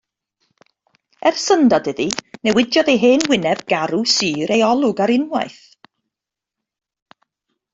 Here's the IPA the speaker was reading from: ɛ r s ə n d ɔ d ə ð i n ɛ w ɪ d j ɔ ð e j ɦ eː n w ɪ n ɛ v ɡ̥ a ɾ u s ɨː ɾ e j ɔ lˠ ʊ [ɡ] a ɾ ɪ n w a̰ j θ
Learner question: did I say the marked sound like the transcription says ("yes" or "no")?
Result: yes